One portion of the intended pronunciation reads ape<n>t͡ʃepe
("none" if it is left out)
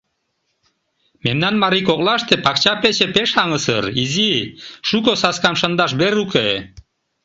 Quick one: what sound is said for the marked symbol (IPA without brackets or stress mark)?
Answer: none